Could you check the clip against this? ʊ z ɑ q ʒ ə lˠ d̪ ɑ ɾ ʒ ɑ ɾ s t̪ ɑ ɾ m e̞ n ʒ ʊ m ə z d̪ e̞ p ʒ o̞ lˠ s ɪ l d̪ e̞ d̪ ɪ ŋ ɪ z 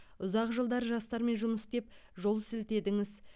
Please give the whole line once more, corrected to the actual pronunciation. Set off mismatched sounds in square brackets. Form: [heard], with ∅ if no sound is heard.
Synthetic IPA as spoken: ʊ z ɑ q ʒ ə lˠ d̪ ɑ ɾ ʒ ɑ [∅] s t̪ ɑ ɾ m e̞ n ʒ ʊ m ə [s] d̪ e̞ p ʒ o̞ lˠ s ɪ l [t̪] e̞ d̪ ɪ ŋ ɪ z